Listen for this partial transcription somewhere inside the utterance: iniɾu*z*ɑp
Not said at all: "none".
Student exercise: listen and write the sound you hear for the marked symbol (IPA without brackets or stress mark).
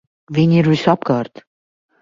s